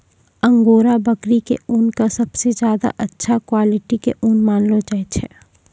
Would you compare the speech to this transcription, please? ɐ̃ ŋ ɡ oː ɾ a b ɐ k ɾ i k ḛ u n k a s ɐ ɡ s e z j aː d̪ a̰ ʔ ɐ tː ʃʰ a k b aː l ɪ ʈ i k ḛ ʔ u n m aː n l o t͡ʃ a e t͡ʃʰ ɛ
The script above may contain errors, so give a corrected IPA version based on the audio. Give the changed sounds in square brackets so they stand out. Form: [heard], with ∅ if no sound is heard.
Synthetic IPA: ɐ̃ ŋ ɡ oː ɾ a b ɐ k ɾ i k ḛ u n k a s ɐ [b] s e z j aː d̪ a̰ ʔ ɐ tː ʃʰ a k [w] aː l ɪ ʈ i k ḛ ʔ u n m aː n l o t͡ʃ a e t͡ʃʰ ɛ